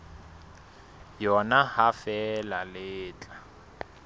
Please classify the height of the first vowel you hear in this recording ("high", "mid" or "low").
mid